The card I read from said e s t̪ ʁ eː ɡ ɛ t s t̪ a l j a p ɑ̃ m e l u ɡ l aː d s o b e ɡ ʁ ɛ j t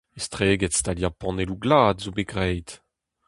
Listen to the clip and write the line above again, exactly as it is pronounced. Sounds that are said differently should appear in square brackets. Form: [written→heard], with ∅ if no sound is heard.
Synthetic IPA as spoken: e s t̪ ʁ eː ɡ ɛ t s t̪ a l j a p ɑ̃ [m→n] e l u ɡ l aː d [s→z] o b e ɡ ʁ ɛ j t